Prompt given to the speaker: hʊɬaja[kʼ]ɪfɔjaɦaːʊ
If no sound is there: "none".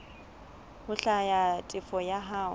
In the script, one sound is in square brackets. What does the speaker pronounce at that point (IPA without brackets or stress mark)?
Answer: tʼ